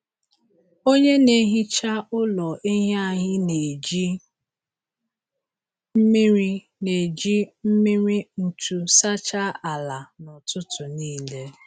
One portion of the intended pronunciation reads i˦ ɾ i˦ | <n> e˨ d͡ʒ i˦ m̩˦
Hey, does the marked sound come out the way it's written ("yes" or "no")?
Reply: yes